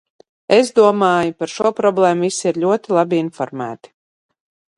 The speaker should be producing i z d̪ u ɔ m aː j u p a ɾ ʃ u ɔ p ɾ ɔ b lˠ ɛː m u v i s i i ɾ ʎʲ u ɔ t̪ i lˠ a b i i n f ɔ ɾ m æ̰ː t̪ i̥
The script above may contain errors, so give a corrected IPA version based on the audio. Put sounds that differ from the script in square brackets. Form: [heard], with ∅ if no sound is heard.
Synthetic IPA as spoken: [e] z d̪ u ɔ m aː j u p a ɾ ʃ u ɔ p ɾ ɔ b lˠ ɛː m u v i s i i ɾ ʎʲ u ɔ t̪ i lˠ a b i i n f ɔ ɾ m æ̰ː t̪ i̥